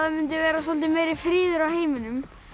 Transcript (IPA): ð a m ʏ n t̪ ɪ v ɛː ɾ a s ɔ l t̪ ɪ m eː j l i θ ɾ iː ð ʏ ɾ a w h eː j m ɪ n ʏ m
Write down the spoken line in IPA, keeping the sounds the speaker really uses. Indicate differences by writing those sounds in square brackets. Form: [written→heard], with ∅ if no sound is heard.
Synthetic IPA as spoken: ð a m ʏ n t̪ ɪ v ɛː ɾ a s ɔ l t̪ ɪ m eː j [l→ɾ] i [θ→f] ɾ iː ð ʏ ɾ a w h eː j m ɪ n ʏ m